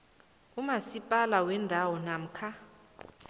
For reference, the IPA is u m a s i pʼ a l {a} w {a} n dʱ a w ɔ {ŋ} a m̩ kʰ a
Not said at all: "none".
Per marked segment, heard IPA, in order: a, ɛ, n

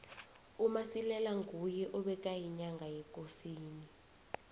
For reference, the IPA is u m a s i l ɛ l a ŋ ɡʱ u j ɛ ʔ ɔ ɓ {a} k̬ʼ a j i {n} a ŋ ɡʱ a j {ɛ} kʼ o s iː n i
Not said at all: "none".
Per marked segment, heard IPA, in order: ɛ, ɲ, ɛ

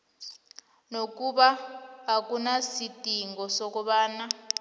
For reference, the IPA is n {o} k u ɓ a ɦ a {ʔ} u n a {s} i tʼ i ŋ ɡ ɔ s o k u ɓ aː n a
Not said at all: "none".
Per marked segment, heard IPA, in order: o, k, s

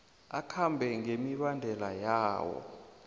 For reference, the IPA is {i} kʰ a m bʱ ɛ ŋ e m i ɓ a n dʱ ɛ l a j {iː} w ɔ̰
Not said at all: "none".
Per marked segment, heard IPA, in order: a, aː

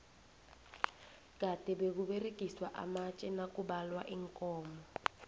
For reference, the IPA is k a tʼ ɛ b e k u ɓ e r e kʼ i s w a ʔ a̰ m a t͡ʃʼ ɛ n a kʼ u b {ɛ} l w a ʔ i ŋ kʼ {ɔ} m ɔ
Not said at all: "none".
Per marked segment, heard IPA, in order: a, ɔː

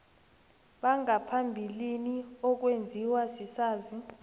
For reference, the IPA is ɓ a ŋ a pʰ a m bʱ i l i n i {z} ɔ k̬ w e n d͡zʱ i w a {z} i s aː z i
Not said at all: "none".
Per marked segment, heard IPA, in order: none, s

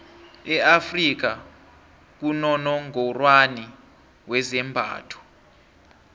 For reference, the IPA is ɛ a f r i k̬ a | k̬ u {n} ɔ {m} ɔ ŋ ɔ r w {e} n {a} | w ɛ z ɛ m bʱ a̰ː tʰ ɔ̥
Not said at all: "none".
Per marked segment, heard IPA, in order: n, n, a, i

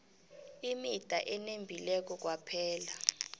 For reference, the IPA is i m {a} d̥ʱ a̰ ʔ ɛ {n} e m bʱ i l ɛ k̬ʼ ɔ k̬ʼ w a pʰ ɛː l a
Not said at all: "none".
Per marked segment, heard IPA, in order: i, n

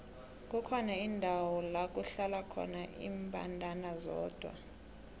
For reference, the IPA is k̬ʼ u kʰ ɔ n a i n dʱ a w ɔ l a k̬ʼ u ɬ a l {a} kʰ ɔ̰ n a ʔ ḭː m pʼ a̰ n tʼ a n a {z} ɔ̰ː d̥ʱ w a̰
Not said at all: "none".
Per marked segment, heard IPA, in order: a, z

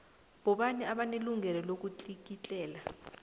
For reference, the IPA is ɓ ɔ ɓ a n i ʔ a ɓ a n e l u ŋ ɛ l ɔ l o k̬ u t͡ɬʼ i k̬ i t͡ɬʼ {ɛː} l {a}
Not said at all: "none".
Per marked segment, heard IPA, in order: ɛː, a

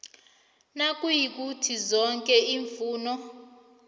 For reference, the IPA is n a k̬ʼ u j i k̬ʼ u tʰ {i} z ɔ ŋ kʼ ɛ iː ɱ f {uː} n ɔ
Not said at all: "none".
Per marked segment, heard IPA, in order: i, uː

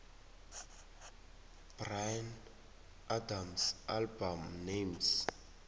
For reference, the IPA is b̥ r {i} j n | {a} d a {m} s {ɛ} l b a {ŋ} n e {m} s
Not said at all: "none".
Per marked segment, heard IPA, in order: a, a, m, a, m, m

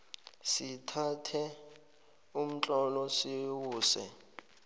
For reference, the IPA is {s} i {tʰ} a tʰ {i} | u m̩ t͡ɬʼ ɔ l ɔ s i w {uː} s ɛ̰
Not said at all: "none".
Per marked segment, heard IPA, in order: s, tʰ, ɛ, uː

